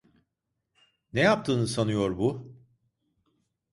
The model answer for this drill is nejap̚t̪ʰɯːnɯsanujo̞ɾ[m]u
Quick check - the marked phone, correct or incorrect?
incorrect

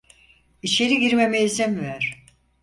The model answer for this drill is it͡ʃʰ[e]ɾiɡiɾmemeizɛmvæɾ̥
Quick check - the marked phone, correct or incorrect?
correct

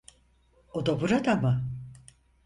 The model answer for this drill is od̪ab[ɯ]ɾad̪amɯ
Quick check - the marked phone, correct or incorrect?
incorrect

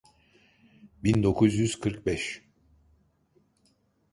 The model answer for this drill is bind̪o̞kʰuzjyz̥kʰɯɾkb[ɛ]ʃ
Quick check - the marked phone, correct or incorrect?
correct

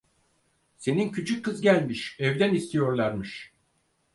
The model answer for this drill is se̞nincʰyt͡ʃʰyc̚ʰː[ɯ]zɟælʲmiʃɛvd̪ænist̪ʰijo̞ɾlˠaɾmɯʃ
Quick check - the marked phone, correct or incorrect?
correct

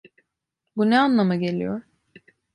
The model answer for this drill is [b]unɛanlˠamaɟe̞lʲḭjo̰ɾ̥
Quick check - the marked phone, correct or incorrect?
correct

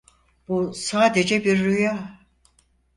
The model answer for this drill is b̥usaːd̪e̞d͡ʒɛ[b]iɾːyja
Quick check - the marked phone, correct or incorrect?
correct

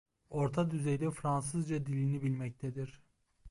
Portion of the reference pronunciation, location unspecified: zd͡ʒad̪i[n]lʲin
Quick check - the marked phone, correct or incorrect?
incorrect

